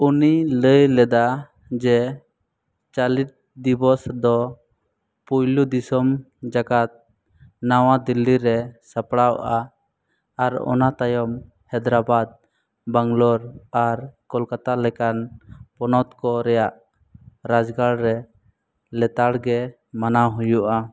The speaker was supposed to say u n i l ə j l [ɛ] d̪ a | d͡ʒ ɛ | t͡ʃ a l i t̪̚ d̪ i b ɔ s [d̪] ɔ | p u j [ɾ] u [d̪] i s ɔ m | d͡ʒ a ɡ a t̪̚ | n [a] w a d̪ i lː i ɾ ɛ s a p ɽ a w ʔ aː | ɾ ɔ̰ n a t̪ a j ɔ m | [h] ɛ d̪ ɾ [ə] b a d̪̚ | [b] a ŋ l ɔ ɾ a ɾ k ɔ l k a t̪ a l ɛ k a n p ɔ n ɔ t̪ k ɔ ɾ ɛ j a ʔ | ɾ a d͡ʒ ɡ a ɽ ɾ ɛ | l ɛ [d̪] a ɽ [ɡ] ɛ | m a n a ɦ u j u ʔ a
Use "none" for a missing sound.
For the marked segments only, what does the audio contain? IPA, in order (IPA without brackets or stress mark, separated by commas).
ɛ, d̪, l, d̪, a, h, a, b, t̪, ɡ